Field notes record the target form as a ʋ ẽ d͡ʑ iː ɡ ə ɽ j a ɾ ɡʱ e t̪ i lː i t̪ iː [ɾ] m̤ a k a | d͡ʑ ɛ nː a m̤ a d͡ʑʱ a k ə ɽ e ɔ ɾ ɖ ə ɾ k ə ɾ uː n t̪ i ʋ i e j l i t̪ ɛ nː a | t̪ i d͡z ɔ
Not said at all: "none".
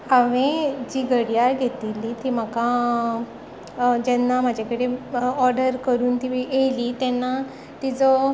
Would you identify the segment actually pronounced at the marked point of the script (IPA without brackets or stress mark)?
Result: none